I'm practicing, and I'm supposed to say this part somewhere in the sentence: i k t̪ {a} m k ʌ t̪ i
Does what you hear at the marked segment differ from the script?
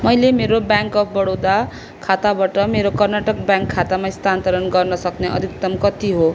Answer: yes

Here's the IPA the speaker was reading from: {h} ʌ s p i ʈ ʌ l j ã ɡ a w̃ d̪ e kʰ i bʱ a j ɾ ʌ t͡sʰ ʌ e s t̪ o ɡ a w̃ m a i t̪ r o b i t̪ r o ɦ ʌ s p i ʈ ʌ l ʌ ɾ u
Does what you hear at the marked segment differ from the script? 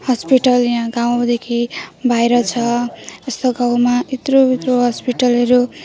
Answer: no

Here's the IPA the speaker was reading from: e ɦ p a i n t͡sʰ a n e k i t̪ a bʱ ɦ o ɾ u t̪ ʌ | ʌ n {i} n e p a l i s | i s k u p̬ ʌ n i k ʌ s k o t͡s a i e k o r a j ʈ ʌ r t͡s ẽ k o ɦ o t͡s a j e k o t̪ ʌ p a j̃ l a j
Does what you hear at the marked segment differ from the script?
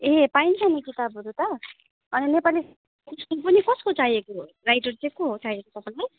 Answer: no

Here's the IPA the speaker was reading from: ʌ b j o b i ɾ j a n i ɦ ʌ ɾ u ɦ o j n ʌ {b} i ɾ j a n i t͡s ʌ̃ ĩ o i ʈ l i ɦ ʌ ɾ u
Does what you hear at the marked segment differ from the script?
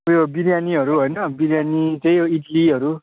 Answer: no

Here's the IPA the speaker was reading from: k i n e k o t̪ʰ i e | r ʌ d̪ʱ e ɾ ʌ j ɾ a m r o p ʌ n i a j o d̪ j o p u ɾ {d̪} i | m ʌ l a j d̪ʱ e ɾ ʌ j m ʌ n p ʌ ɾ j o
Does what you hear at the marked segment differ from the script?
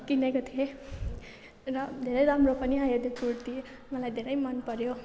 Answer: yes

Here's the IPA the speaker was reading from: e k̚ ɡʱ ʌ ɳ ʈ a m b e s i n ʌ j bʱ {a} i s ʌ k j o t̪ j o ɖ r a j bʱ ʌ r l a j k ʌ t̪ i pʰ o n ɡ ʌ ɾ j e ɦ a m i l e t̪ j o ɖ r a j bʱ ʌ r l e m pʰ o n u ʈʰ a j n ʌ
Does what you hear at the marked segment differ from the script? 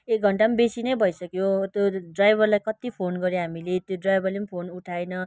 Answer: yes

